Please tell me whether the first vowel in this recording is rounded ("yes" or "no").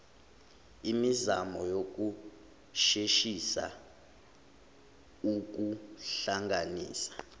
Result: no